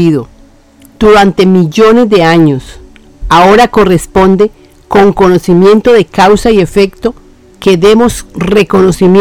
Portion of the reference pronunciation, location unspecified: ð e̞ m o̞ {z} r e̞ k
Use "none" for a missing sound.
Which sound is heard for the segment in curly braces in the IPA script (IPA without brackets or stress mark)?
s